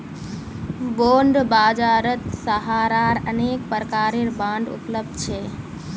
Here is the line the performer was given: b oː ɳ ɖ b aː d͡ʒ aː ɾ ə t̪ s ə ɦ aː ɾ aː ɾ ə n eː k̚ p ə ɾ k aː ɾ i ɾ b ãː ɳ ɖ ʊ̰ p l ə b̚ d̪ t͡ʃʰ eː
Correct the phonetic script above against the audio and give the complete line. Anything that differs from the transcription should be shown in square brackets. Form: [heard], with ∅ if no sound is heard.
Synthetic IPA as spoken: b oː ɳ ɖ b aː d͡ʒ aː ɾ ə t̪ s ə ɦ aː ɾ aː ɾ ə n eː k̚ p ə ɾ k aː ɾ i ɾ b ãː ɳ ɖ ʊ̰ p l ə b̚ d̪ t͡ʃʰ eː